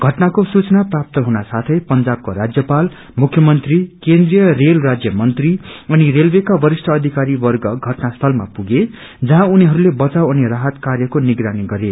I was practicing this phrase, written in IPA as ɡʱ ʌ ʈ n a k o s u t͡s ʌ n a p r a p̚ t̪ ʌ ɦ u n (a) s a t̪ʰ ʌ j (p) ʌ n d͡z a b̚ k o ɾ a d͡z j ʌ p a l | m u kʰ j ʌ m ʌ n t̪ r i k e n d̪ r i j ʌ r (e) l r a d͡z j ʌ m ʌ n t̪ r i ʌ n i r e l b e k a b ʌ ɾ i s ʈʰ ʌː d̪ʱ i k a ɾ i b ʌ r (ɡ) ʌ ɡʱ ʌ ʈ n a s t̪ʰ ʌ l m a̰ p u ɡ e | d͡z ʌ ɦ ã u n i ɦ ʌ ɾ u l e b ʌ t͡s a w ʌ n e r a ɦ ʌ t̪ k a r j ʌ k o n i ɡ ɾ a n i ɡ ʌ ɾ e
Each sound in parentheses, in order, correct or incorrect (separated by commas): correct, correct, correct, correct